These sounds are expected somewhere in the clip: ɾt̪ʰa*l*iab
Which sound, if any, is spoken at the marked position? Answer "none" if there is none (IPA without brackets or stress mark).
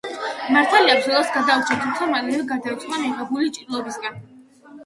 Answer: l